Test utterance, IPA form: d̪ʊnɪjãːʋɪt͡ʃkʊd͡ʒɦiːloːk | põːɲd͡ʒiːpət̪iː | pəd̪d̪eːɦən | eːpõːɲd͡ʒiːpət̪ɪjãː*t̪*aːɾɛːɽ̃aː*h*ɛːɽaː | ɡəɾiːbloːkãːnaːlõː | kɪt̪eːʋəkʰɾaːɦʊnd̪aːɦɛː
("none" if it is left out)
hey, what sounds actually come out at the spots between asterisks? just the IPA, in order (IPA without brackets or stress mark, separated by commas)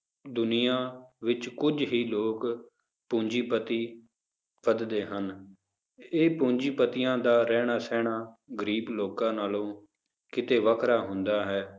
d̪, s